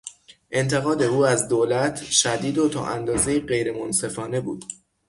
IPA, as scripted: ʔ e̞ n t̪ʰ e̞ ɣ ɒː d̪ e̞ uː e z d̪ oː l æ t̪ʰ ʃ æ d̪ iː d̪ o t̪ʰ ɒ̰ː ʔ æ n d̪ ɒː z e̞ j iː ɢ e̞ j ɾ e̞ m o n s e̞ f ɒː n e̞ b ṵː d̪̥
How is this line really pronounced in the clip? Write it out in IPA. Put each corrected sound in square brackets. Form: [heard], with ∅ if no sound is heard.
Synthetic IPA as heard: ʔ e̞ n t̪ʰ e̞ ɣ ɒː d̪ e̞ uː [æ] z d̪ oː l æ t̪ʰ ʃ æ d̪ iː d̪ o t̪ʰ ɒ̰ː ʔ æ n d̪ ɒː z e̞ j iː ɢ e̞ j ɾ e̞ m o n s e̞ f ɒː n e̞ b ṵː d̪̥